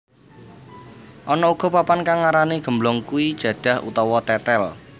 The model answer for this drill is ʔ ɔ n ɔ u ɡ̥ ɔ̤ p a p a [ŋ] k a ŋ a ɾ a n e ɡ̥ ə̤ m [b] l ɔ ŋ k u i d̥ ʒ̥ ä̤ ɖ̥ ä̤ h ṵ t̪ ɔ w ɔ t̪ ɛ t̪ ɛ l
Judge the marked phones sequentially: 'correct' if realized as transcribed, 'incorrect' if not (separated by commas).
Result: incorrect, correct